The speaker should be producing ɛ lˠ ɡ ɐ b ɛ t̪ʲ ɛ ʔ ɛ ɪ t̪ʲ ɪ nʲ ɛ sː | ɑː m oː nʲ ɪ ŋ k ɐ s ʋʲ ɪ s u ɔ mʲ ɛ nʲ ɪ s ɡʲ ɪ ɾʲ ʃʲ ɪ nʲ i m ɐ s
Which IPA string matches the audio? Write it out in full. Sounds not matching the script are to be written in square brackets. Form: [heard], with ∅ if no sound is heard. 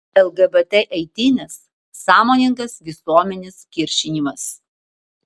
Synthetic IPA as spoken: ɛ lˠ ɡ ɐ b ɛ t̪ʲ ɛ ʔ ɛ ɪ t̪ʲ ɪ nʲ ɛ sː | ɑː m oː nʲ ɪ ŋ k ɐ s ʋʲ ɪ s u ɔ mʲ ɛ nʲ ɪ s [kʲ] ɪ ɾʲ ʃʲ ɪ nʲ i m ɐ s